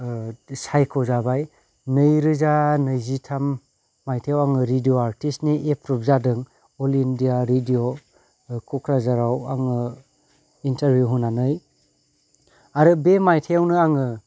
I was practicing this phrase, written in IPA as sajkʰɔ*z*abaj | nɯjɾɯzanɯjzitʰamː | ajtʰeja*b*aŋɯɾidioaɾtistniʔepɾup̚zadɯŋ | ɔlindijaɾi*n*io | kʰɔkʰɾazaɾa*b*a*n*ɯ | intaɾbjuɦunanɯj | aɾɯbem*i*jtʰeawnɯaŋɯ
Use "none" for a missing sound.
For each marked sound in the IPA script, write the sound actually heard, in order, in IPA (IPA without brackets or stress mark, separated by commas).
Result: z, w, d, w, ŋ, a